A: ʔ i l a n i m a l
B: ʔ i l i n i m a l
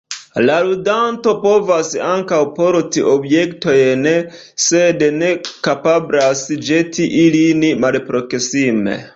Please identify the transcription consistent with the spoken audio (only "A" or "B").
B